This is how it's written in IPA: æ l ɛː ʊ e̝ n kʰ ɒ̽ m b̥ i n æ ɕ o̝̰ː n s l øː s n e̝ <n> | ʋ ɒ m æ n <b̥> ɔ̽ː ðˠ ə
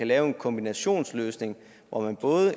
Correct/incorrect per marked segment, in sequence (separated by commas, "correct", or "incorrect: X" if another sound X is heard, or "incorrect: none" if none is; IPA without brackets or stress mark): incorrect: ŋ, correct